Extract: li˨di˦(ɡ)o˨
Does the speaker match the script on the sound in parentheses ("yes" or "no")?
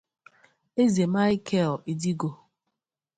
yes